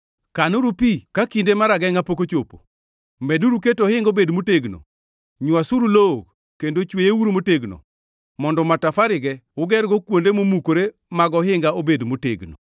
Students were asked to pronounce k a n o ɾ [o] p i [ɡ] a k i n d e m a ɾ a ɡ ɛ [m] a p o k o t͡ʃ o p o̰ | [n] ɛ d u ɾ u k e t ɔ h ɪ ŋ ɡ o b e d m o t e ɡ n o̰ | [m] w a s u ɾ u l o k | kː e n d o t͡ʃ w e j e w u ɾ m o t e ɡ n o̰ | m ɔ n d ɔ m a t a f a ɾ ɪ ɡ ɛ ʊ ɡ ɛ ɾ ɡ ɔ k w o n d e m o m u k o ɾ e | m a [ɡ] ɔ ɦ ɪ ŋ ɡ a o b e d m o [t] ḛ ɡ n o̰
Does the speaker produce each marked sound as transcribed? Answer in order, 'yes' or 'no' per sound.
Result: no, no, no, no, no, yes, yes

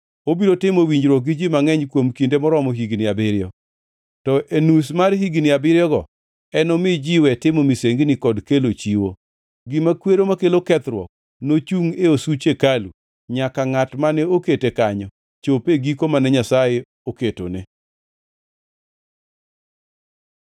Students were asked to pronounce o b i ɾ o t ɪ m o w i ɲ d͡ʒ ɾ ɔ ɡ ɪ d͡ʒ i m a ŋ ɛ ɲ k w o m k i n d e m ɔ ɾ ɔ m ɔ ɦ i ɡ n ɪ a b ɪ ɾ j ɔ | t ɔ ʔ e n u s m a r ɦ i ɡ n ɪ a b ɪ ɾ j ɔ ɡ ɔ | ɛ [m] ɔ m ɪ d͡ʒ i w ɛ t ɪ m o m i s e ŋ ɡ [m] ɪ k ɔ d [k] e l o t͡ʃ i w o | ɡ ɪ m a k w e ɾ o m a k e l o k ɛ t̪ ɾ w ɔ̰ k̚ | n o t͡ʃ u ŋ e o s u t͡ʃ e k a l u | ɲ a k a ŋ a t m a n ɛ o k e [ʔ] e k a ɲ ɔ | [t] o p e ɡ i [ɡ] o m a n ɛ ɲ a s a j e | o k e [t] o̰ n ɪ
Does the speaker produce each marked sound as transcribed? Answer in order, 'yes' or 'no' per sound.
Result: no, no, yes, no, no, no, yes

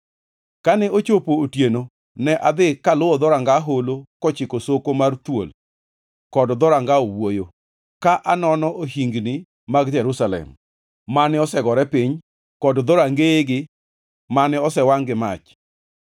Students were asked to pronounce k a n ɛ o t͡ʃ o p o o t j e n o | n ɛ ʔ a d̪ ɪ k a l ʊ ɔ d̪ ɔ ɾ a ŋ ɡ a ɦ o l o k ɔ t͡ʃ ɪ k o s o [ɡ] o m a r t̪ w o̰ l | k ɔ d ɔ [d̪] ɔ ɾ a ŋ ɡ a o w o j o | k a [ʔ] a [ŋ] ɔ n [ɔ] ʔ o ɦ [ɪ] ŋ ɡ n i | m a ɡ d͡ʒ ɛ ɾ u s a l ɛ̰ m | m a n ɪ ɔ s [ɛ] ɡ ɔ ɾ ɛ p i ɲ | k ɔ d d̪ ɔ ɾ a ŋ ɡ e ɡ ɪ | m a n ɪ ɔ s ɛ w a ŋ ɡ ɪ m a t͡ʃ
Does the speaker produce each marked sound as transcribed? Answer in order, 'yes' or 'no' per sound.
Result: no, yes, yes, no, yes, no, yes

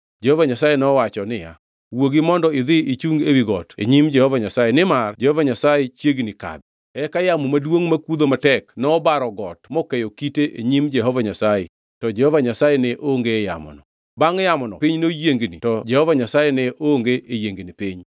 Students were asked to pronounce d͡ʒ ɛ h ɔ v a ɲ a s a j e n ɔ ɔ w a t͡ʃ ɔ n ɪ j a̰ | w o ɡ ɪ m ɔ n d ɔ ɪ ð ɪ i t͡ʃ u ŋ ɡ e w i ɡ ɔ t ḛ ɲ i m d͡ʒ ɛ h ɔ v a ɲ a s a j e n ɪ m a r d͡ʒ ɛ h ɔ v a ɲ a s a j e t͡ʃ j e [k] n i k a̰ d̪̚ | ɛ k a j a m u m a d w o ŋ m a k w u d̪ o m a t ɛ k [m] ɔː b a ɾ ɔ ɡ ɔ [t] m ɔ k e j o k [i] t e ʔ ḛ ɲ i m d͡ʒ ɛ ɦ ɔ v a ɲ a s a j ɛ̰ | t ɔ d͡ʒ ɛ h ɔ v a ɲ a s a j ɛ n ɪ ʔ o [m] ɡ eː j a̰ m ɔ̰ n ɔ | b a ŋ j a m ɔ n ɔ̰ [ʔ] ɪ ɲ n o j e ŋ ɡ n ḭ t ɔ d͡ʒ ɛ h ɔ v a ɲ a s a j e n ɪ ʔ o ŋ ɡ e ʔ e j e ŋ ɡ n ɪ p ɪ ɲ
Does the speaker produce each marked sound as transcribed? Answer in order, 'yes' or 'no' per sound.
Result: no, no, yes, yes, no, no

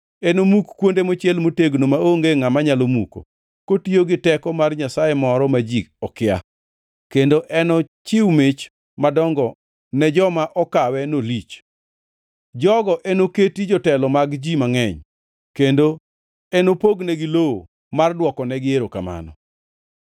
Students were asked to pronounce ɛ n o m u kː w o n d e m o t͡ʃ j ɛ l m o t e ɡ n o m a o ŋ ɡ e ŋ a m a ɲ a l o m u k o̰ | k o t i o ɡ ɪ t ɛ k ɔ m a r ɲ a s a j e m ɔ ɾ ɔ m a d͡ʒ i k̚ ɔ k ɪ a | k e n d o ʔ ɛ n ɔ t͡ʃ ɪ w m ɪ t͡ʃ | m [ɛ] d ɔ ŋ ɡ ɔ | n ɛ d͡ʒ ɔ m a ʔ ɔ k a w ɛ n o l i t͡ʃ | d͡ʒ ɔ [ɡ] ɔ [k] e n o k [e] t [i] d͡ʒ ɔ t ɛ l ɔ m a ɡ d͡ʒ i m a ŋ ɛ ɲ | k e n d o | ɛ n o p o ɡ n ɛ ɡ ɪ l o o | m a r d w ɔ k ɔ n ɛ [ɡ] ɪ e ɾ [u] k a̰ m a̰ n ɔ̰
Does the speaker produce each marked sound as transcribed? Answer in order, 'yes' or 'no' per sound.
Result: no, yes, no, yes, yes, yes, no

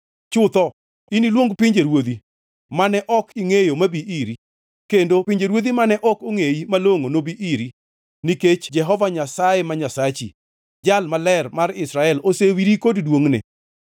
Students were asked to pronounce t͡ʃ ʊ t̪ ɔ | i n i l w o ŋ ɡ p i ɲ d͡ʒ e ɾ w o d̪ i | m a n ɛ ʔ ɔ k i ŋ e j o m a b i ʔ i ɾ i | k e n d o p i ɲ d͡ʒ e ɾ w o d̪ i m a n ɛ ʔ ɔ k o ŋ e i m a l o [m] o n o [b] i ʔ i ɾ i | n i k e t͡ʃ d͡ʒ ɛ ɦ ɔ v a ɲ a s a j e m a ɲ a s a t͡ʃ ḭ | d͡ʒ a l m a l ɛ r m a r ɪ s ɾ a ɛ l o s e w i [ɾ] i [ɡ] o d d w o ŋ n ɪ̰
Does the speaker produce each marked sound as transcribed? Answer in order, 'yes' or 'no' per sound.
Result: no, yes, yes, no

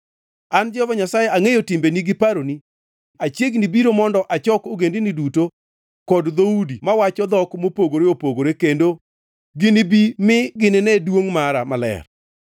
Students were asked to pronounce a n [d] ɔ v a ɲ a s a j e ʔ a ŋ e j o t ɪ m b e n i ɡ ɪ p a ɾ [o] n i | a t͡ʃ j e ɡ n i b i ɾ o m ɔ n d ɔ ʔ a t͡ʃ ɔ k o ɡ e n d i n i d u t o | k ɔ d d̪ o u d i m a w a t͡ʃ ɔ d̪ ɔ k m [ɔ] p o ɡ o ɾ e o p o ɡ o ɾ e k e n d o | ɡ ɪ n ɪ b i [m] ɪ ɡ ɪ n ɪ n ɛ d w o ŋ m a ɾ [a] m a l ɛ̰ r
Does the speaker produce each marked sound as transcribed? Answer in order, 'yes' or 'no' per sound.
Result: no, yes, no, yes, yes

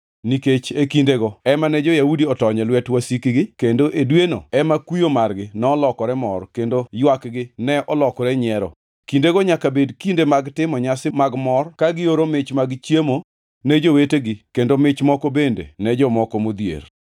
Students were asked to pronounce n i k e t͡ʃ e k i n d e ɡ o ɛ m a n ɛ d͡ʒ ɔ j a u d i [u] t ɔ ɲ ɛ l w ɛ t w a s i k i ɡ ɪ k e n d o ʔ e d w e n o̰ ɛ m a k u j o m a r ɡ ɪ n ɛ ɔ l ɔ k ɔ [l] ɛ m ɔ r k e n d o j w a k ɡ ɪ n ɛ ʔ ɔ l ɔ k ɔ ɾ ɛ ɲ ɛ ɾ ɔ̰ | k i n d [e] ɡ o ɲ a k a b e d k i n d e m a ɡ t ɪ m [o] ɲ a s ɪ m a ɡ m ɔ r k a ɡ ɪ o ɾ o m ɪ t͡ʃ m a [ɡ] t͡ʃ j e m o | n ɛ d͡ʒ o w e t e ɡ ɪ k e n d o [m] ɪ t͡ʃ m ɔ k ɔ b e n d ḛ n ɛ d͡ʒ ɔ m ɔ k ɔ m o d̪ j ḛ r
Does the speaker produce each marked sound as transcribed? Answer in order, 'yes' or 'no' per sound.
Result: no, no, yes, no, yes, yes

